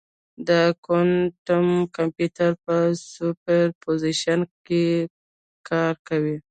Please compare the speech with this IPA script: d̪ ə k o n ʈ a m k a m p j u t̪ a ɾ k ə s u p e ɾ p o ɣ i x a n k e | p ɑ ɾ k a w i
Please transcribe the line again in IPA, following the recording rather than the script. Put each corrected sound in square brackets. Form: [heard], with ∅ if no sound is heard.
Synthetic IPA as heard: d̪ ə k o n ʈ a m k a m p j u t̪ a ɾ [p] ə s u p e ɾ p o [z] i [ʃ] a n k e | [k] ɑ ɾ k a w i